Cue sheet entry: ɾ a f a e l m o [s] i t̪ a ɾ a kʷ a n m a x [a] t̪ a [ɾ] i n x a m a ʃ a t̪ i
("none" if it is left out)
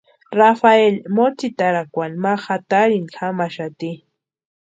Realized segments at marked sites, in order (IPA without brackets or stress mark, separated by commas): t͡s, a, ɾ